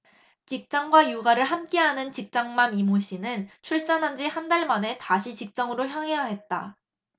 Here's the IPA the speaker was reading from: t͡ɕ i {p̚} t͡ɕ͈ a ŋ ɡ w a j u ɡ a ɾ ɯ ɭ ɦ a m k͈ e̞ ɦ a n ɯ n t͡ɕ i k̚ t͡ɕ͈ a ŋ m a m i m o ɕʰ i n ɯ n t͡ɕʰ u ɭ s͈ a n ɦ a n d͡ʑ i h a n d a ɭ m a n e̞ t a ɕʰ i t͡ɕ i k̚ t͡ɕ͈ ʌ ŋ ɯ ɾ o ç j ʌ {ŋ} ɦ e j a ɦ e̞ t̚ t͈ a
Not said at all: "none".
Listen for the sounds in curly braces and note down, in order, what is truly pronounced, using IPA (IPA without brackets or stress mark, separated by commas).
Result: k̚, ŋ